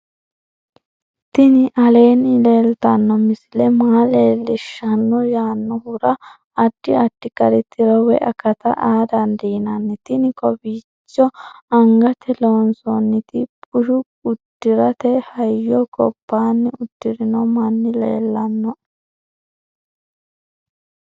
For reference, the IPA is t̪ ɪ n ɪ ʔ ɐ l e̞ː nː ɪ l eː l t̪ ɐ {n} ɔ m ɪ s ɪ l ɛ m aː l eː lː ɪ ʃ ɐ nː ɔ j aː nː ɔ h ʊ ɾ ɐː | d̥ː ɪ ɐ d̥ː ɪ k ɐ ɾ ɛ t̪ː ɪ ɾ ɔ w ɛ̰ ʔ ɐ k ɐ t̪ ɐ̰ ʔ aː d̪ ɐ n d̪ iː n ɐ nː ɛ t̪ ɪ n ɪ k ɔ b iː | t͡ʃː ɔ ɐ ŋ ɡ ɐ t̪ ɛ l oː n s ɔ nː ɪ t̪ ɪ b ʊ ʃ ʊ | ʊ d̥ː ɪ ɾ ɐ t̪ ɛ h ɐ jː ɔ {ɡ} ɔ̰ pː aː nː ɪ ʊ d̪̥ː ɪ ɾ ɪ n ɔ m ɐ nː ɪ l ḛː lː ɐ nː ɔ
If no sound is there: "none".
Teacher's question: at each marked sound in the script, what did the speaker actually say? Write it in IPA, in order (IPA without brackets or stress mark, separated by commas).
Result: nː, k